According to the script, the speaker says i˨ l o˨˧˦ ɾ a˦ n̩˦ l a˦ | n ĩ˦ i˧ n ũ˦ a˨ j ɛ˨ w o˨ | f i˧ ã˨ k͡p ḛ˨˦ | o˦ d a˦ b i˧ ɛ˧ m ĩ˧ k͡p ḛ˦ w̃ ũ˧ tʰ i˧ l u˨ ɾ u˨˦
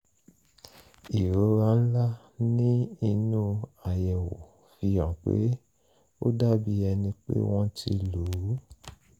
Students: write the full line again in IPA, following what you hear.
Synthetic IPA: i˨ ɾ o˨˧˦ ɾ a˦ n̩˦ l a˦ | n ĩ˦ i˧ n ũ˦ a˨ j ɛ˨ w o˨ | f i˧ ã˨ k͡p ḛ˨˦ | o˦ d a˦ b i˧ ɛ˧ n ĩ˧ k͡p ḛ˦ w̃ ɔ̃˧ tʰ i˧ l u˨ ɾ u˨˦